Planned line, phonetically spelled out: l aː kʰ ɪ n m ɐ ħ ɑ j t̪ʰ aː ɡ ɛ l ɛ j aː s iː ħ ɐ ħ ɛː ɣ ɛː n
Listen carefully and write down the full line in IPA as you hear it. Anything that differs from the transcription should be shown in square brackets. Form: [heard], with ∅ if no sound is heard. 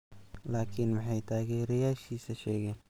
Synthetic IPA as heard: l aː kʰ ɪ n m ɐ ħ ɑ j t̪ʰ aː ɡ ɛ [ɾ] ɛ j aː [ʃ] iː [s] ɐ [ʃ] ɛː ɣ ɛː n